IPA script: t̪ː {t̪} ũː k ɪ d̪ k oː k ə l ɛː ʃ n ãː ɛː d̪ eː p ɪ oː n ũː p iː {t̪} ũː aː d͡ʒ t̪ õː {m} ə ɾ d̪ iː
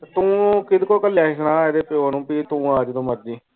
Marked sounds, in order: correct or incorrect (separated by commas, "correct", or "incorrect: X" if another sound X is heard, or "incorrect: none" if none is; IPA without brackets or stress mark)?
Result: correct, correct, correct